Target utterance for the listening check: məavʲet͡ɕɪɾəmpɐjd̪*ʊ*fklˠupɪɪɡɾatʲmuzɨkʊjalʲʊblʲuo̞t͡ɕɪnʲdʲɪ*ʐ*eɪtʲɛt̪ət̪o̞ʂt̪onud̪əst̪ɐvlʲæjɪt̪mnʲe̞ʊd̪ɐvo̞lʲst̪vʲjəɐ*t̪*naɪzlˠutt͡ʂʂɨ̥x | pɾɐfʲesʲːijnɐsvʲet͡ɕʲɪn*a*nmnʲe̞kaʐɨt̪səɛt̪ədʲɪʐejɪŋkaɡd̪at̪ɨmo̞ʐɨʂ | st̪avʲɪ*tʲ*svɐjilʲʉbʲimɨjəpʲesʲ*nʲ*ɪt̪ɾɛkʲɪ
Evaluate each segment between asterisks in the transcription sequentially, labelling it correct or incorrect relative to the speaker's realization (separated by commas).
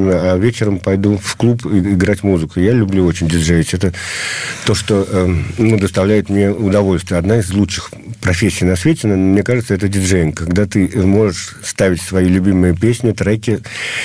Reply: incorrect, correct, incorrect, incorrect, correct, correct